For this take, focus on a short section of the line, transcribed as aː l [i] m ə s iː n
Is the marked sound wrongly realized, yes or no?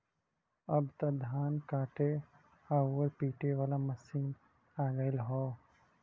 yes